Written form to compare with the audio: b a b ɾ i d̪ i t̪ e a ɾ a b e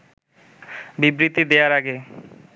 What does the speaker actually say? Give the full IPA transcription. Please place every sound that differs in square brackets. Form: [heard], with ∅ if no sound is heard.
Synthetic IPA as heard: b [i] b ɾ i [t̪] i [d̪] e a ɾ a [ɡ] e

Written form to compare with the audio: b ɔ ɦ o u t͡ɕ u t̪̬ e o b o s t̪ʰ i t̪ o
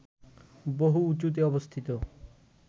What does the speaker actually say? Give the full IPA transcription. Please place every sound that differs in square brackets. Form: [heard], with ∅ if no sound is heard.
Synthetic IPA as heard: b [o] ɦ [u] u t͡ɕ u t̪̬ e [ɔ] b o s t̪ʰ i t̪ o

